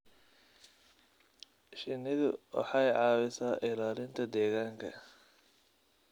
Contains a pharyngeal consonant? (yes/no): yes